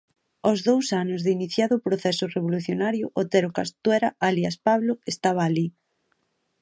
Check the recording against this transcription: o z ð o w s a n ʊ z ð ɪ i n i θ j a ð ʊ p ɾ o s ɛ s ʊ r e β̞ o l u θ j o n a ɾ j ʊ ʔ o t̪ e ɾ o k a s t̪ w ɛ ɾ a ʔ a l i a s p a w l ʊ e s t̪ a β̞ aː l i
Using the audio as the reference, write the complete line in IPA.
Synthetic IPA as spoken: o z ð o w s a n ʊ z ð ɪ i n i θ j a ð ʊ p ɾ o θ ɛ s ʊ r e β̞ o l u θ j o n a ɾ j ʊ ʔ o t̪ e ɾ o k a s t̪ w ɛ ɾ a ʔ a l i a s p a β l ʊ e s t̪ a β̞ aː l i